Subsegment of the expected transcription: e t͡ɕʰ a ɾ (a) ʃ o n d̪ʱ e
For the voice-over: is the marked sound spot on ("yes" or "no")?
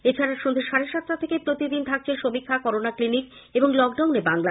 yes